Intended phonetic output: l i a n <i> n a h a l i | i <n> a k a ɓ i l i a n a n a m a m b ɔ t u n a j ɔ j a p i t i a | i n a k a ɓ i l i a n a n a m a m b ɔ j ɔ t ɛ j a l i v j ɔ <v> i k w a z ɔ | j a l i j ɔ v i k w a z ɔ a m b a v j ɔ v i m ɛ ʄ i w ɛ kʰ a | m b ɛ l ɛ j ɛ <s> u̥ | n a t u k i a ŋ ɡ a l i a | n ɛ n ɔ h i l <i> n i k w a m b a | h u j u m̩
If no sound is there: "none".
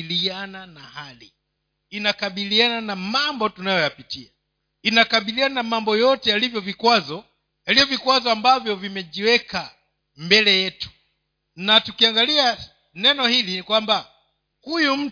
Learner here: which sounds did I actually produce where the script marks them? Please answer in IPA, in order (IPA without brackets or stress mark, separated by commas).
a, n, v, t, i